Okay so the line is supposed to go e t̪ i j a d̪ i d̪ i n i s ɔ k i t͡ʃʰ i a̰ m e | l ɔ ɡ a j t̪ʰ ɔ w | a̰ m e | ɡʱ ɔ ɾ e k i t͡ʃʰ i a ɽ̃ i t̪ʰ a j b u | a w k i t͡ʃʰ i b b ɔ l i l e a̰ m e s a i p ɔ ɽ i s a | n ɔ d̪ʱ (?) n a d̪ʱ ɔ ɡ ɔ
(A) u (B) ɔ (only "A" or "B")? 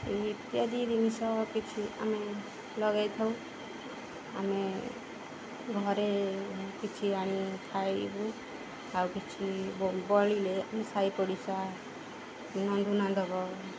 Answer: A